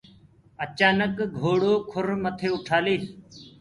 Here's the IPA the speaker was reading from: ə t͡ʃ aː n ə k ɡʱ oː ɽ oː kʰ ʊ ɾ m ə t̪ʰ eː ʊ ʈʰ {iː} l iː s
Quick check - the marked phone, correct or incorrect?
incorrect